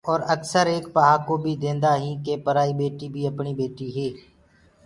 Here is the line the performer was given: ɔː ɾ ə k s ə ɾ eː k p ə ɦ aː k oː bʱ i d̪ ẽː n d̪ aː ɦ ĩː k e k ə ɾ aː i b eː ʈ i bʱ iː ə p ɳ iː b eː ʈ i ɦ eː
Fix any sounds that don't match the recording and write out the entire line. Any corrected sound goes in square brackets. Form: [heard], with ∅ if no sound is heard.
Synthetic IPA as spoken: ɔː ɾ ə k s ə ɾ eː k p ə ɦ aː k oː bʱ i d̪ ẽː n d̪ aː ɦ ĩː k e [p] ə ɾ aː i b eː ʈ i bʱ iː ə p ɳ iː b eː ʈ i ɦ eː